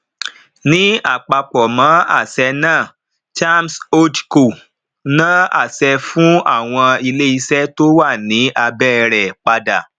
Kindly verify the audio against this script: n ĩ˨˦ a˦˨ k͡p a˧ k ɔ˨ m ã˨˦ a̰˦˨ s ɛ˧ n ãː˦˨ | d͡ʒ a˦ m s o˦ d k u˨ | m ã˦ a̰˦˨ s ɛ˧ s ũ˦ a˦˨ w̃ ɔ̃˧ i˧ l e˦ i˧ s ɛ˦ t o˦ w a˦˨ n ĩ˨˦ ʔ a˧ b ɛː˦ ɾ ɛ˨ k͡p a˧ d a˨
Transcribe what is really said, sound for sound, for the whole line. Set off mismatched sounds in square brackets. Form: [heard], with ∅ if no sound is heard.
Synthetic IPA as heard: n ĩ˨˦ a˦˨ k͡p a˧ [k͡p] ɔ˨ m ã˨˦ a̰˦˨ s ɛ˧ n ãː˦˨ | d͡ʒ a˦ m s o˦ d k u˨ | [n] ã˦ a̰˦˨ s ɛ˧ [f] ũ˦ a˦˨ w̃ ɔ̃˧ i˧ l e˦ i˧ s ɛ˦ t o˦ w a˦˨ n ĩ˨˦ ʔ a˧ b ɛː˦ ɾ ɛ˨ k͡p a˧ d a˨